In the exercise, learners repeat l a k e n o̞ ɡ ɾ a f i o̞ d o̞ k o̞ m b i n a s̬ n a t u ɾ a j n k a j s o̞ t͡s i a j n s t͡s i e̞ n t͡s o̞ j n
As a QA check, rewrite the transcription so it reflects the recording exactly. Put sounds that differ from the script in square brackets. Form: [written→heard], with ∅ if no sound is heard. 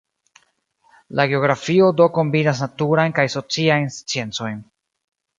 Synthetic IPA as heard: l a [k→ɡ] e [n→∅] o̞ ɡ ɾ a f i o̞ d o̞ k o̞ m b i n a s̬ n a t u ɾ a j n k a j s o̞ t͡s i a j n s t͡s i e̞ n t͡s o̞ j n